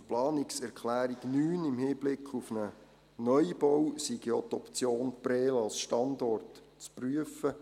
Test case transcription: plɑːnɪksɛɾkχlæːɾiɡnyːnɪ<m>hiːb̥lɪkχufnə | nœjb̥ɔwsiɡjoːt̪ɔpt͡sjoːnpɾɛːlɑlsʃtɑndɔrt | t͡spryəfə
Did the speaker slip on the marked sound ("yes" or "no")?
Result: no